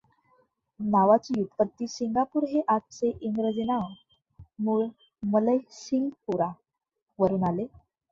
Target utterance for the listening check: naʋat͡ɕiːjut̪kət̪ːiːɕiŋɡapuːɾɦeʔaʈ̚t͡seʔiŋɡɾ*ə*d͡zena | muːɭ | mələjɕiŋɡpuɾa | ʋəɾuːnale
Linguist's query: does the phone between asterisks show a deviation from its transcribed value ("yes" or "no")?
no